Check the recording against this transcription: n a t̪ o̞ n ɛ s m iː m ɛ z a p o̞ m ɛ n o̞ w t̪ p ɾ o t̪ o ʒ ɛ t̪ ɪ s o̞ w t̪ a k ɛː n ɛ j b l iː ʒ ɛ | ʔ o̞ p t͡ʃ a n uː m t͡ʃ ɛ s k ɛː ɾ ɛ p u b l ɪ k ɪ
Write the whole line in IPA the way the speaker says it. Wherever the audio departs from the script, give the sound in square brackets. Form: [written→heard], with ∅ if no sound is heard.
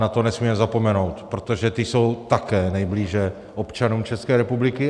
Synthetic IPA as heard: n a t̪ o̞ n ɛ s m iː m ɛ z a p o̞ m ɛ n o̞ w t̪ p ɾ o t̪ o ʒ ɛ t̪ ɪ s o̞ w t̪ a k ɛː n ɛ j b l iː ʒ ɛ | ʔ o̞ p t͡ʃ a n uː m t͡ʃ ɛ s k ɛː ɾ ɛ p u b l ɪ k ɪ